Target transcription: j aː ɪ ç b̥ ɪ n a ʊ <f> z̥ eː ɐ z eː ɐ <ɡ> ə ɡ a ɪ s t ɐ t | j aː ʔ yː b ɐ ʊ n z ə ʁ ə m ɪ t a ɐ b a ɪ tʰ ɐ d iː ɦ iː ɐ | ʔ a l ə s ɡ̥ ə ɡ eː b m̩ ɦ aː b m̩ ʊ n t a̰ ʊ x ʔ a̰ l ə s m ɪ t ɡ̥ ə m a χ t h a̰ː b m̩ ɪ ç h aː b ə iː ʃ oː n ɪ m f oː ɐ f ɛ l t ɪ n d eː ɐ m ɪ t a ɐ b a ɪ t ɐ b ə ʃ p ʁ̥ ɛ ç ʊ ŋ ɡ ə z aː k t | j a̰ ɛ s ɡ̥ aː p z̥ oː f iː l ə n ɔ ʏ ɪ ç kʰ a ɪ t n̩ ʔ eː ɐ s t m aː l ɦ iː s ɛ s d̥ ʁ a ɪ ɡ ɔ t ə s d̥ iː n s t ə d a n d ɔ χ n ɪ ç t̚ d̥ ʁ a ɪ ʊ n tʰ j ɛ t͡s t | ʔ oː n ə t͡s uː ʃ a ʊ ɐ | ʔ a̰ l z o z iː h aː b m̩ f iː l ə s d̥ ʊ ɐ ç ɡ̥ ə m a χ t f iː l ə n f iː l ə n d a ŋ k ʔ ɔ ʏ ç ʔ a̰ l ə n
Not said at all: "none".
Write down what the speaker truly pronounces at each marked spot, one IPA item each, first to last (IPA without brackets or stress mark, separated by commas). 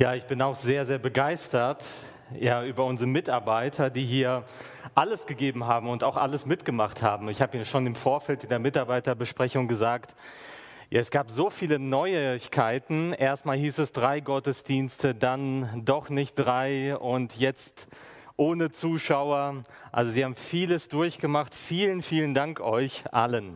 x, b